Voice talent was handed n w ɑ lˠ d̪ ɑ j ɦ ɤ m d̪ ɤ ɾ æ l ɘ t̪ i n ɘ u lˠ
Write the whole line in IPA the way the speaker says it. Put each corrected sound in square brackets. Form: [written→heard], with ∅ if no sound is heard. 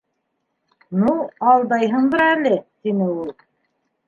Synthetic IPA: n [w→u] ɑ lˠ d̪ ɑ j ɦ ɤ [m→ɴ] d̪ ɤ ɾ æ l ɘ t̪ i n ɘ u lˠ